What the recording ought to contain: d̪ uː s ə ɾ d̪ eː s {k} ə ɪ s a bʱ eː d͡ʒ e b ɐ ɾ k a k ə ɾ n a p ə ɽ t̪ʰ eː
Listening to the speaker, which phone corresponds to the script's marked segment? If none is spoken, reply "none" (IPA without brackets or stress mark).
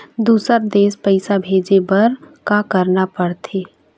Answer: p